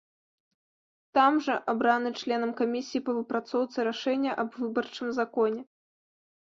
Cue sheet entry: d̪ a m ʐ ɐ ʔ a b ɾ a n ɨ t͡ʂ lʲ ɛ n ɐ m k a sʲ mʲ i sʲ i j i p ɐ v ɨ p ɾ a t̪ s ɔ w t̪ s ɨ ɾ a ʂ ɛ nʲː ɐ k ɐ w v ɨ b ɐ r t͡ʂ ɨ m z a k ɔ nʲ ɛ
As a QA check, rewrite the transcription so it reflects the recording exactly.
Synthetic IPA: t̪ a m ʐ ɐ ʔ a b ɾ a n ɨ t͡ʂ lʲ ɛ n ɐ m k a mʲ i sʲ i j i p ɐ v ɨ p ɾ a t̪ s ɔ w t̪ s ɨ ɾ a ʂ ɛ nʲː ɐ ʔ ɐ b v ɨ b ɐ r t͡ʂ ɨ m z a k ɔ nʲ ɛ